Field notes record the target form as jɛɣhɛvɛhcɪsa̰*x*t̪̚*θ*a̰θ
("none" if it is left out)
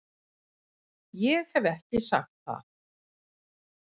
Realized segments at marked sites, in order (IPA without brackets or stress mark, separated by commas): x, θ